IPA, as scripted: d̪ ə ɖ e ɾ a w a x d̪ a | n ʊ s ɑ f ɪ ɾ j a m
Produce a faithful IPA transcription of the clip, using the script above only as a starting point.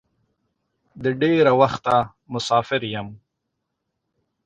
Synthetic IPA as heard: d̪ ə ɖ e ɾ a w a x t̪ a | m ʊ s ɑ f ɪ ɾ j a m